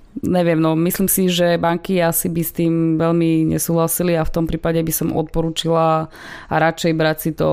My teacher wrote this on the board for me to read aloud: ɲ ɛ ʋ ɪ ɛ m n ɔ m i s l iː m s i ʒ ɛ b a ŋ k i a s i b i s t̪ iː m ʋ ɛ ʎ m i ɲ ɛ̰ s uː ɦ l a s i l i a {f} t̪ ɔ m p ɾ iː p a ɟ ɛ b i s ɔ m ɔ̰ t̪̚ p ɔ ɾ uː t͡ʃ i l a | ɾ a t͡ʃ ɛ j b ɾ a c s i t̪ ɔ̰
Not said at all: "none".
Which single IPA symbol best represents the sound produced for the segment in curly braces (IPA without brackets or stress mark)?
f